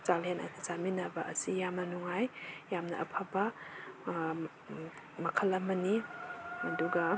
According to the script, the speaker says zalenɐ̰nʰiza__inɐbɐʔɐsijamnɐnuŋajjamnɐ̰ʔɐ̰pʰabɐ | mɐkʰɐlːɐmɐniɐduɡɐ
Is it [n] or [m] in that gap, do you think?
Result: m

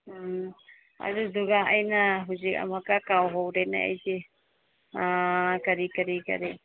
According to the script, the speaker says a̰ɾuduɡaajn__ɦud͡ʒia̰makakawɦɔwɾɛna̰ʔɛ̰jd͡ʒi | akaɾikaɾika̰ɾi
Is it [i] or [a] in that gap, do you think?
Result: a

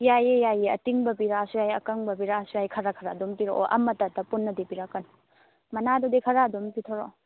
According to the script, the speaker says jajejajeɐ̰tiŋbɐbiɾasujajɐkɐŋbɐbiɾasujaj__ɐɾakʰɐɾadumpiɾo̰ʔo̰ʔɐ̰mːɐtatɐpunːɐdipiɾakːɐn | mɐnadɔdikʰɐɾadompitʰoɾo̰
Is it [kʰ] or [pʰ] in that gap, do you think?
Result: kʰ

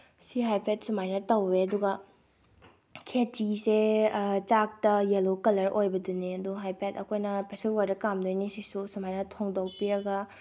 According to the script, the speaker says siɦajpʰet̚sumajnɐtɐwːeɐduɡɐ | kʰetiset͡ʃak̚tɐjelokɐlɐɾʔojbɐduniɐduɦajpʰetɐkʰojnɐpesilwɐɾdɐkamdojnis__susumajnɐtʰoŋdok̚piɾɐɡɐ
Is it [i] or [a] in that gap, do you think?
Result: i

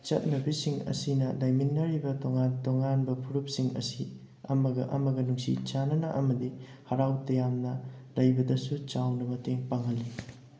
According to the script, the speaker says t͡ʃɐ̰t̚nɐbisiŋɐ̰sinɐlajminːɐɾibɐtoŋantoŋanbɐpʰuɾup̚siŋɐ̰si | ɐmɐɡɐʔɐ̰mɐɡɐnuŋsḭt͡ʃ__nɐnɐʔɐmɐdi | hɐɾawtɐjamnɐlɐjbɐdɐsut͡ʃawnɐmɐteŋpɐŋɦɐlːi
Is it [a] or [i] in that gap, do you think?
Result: a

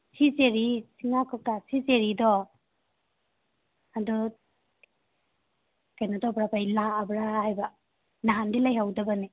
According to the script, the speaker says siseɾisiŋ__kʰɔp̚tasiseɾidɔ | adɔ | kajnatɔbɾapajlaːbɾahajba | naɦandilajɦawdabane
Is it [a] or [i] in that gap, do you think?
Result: a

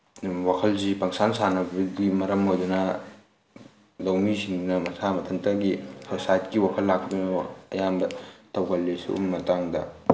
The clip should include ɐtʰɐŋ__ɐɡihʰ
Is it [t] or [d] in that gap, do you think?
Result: t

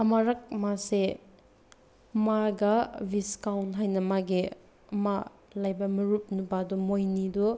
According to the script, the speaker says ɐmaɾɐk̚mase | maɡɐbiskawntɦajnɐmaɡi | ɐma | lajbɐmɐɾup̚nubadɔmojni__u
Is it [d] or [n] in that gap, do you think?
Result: d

